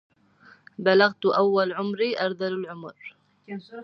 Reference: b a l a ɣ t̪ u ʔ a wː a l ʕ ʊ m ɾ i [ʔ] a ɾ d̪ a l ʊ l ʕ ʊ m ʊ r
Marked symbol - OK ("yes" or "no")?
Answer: yes